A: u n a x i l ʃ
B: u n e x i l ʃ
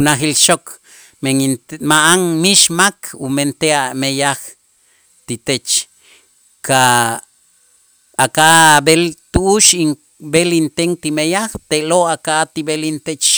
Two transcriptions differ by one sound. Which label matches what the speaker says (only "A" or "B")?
A